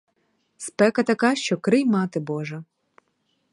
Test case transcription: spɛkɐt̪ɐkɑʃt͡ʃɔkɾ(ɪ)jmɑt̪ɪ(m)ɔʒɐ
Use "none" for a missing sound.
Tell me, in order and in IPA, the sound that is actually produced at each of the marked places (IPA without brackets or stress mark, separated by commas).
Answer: ɪ, b